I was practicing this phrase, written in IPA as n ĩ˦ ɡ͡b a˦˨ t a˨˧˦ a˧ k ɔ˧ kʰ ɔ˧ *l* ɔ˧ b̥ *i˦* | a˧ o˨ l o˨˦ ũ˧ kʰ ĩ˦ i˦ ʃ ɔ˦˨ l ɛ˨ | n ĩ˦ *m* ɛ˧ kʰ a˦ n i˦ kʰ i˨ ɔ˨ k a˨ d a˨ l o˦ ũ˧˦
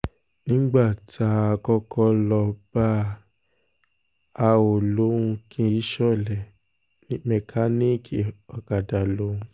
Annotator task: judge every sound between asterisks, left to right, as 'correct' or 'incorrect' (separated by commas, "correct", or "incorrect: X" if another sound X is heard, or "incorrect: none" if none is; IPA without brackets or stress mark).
correct, incorrect: a˦, correct